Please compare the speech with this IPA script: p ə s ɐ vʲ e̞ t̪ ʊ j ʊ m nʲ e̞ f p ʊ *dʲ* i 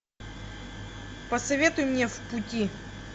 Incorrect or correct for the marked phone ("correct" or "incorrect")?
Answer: incorrect